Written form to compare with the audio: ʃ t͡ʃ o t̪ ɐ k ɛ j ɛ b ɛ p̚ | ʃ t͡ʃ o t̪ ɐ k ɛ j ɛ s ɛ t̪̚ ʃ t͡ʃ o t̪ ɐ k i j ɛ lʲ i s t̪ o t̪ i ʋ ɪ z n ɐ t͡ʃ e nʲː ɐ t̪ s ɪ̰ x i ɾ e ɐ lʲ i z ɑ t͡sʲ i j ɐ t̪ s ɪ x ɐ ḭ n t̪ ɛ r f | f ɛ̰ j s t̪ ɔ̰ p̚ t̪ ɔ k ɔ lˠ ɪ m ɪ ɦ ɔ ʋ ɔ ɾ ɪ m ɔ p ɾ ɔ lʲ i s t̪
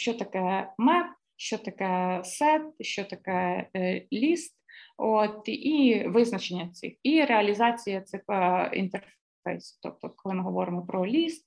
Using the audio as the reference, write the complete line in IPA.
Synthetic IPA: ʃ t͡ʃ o t̪ ɐ k ɛ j ɛ m ɛ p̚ | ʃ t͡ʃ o t̪ ɐ k ɛ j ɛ s ɛ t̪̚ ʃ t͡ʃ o t̪ ɐ k ɛ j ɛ lʲ i s t̪ o t̪ i ʋ ɪ z n ɐ t͡ʃ e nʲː ɐ t̪ s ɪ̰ x i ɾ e ɐ lʲ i z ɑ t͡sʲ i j ɐ t̪ s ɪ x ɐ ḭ n t̪ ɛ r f | f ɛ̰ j s t̪ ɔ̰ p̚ t̪ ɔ k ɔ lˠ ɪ m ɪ ɦ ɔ ʋ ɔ ɾ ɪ m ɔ p ɾ ɔ lʲ i s t̪